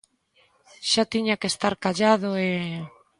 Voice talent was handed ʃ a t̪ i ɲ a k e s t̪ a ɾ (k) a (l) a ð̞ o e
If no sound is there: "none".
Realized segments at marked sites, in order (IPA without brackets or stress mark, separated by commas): k, ʎ